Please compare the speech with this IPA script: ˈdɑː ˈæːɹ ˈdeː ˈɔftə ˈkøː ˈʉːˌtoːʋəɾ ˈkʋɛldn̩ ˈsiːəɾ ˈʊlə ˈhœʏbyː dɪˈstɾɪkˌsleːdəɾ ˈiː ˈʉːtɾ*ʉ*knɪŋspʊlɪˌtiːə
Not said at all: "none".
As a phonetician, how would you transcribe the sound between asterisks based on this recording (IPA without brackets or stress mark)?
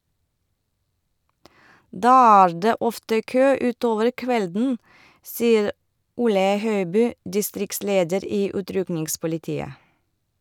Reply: ʉ